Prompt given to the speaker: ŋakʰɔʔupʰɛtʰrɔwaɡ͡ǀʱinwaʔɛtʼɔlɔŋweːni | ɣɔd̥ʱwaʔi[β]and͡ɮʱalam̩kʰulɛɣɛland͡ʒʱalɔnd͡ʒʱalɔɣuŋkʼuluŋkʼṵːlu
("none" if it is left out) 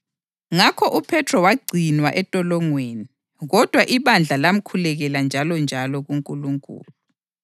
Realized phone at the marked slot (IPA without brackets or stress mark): β